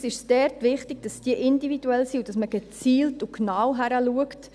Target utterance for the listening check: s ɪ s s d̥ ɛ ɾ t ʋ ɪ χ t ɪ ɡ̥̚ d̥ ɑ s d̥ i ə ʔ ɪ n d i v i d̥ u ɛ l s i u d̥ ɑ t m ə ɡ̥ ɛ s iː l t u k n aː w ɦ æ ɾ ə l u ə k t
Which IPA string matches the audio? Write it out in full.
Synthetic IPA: s ɪ ʃ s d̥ ɛ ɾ t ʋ ɪ χ t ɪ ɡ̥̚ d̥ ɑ s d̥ i ə ʔ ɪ n d i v i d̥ u ɛ l s i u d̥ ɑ s m ə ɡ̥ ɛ t͡s iː l t u k n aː w ɦ æ ɾ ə l u ə k t